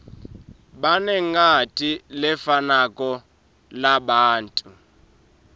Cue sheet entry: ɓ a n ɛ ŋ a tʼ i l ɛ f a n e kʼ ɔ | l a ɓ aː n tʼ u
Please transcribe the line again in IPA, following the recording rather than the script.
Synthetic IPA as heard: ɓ a n ɛ ŋ a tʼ i l ɛ f a n a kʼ ɔ | l a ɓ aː n tʼ u